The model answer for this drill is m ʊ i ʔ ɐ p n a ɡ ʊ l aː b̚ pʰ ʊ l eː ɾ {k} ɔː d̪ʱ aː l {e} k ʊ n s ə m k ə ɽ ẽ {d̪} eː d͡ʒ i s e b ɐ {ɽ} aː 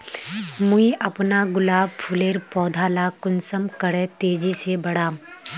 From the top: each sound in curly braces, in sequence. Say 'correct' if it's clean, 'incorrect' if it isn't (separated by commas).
incorrect, incorrect, incorrect, correct